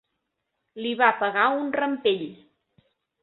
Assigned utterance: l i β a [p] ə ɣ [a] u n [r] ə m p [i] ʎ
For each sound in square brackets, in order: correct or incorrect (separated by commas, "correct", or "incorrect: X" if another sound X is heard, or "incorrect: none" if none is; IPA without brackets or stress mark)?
correct, correct, correct, incorrect: e